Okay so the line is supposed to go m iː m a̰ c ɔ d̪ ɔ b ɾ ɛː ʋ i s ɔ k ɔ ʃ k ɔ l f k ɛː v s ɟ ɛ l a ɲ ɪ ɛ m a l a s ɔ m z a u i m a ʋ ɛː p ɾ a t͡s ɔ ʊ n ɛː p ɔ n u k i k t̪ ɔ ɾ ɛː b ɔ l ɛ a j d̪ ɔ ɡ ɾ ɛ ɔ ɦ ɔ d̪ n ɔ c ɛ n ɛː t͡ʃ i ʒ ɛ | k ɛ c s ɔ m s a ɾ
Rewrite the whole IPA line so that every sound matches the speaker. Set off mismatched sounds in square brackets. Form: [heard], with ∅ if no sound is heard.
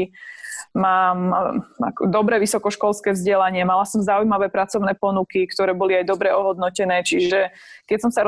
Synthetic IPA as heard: m [aː] m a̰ [k] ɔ d̪ ɔ b ɾ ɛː ʋ i s ɔ k ɔ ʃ k ɔ l [s] k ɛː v [z] ɟ ɛ l a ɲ ɪ ɛ m a l a s ɔ m z a u [j] m a ʋ ɛː p ɾ a t͡s ɔ ʊ n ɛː p ɔ n u k i k t̪ ɔ ɾ ɛː b ɔ l [i] a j d̪ ɔ [b] ɾ ɛ ɔ ɦ ɔ d̪ n ɔ c ɛ n ɛː t͡ʃ i ʒ ɛ | k ɛ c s ɔ m s a ɾ